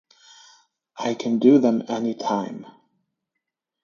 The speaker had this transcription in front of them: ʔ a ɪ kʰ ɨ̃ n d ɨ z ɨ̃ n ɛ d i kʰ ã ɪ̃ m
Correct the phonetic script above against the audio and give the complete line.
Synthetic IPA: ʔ a ɪ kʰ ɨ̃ n d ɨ ð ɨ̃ m ɛ n i tʰ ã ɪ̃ m